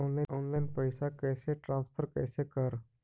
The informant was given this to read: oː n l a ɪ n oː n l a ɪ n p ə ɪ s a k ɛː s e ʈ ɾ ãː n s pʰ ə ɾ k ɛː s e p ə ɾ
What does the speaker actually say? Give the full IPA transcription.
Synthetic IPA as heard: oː n l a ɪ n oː n l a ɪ n p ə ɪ s a k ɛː s e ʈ ɾ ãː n s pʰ ə ɾ k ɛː s e k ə ɾ